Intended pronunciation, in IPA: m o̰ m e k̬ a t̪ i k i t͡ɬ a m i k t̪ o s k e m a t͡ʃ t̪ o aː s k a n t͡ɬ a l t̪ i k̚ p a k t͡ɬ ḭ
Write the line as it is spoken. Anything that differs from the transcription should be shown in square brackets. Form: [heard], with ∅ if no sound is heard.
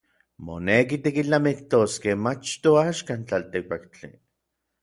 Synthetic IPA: m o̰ [n] e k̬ [i] t̪ i k i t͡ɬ a m i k t̪ o s k e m a t͡ʃ t̪ o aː [ʃ] k a n t͡ɬ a l t̪ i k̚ p a k t͡ɬ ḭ